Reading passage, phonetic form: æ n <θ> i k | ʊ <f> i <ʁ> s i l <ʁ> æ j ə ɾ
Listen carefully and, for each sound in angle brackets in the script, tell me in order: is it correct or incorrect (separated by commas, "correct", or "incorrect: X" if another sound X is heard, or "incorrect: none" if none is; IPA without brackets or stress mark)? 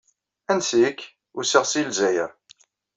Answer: incorrect: s, incorrect: s, correct, incorrect: z